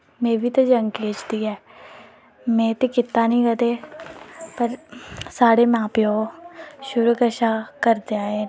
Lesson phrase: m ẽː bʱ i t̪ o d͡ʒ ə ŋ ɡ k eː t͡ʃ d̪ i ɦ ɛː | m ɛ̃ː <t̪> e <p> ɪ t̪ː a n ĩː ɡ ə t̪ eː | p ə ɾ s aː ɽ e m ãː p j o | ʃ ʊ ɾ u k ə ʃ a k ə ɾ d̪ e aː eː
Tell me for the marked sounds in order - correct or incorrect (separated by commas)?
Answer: correct, incorrect